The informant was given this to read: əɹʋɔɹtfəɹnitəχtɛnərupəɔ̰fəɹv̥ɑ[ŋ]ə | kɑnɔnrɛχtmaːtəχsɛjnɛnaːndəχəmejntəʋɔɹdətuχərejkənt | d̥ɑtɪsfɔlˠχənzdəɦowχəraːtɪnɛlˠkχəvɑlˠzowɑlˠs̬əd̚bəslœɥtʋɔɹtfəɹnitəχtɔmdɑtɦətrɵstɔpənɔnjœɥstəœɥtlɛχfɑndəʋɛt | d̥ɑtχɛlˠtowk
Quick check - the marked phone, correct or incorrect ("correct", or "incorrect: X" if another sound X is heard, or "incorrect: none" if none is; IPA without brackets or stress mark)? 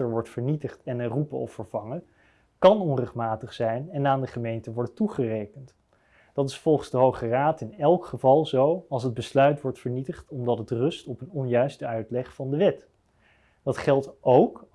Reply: correct